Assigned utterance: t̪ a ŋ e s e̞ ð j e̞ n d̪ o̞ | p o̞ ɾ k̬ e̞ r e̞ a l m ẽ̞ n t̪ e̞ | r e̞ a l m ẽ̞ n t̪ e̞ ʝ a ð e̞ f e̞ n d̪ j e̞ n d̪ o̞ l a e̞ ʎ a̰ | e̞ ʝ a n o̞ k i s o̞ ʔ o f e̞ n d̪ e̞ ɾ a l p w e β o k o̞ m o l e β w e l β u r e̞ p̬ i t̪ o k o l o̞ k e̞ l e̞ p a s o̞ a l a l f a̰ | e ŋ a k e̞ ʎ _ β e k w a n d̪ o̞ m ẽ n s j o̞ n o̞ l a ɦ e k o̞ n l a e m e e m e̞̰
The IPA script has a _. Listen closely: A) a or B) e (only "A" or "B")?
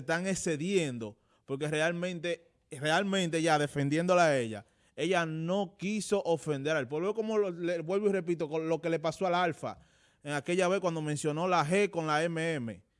A